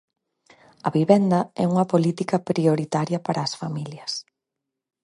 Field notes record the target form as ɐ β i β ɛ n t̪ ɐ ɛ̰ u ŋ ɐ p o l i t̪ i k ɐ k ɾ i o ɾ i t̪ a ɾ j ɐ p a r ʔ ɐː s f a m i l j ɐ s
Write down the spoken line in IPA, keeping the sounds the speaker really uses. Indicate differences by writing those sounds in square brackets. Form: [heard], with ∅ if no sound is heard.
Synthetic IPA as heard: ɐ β i β ɛ n [d̪] ɐ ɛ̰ u ŋ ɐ p o l i t̪ i k ɐ [p] ɾ i o ɾ i t̪ a ɾ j ɐ p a [ɾ] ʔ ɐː s f a m i l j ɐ s